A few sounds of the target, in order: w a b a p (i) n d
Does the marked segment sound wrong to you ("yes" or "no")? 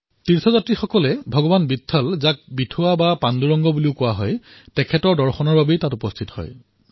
yes